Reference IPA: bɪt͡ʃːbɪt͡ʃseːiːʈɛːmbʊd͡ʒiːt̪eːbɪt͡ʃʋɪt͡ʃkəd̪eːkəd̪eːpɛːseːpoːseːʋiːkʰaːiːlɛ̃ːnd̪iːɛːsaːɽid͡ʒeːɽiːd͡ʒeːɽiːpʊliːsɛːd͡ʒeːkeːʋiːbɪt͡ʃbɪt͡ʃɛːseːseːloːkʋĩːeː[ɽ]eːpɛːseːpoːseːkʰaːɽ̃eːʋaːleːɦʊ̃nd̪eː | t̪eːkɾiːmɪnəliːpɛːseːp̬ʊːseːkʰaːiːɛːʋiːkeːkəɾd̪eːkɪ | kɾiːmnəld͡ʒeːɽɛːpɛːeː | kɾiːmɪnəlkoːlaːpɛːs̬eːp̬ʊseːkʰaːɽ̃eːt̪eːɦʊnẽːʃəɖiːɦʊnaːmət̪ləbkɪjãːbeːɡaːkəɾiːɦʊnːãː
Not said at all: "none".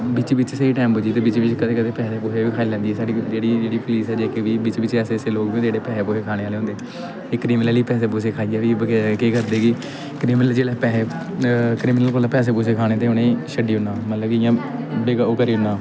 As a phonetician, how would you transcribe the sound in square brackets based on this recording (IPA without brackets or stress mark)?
ɽ